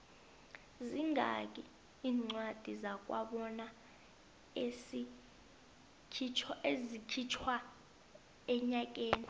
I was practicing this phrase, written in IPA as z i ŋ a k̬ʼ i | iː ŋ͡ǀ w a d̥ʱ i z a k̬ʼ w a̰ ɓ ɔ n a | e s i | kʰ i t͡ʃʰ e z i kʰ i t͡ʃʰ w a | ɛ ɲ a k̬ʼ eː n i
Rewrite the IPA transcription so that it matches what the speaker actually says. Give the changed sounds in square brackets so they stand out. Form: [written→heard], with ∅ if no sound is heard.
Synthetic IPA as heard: z i ŋ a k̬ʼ i | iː ŋ͡ǀ w a d̥ʱ i z a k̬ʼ w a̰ ɓ ɔ n a | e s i | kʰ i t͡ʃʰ e z i kʰ i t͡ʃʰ w a | ɛ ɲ a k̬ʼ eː n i